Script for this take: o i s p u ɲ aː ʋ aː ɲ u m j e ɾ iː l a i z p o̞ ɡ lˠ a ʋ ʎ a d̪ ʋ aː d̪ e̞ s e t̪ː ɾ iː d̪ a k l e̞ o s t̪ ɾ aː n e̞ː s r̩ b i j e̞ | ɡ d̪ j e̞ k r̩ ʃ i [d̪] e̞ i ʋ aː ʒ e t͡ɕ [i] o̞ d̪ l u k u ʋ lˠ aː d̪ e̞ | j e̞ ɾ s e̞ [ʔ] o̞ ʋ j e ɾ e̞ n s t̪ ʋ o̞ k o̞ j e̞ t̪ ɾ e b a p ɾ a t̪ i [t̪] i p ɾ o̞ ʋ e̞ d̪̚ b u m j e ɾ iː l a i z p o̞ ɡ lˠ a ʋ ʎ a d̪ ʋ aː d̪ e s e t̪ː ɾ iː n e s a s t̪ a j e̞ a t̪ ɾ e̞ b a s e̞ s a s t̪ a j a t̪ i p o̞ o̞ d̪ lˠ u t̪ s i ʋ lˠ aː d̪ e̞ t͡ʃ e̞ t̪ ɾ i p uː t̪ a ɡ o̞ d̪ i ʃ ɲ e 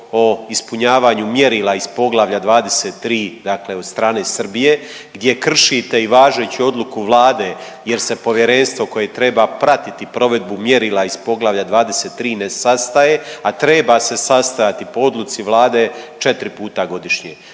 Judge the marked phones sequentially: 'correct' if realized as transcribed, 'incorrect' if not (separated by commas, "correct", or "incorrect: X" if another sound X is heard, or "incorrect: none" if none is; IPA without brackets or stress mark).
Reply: incorrect: t̪, correct, incorrect: p, correct